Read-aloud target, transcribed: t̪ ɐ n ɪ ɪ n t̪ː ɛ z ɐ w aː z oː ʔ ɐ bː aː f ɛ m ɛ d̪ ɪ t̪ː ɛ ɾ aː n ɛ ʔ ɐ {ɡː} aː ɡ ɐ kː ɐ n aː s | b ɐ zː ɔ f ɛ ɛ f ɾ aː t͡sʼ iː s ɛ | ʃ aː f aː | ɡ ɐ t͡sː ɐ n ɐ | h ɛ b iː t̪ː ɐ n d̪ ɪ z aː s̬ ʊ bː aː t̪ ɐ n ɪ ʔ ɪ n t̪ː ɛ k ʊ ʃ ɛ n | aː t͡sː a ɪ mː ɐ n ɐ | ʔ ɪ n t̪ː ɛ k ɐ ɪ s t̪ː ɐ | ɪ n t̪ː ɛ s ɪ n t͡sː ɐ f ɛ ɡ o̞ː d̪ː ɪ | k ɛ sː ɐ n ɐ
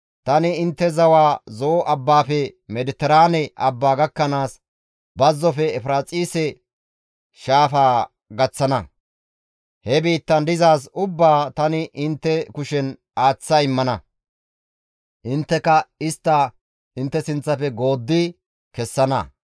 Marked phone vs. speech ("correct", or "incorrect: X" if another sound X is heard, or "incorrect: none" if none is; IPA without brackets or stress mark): incorrect: bː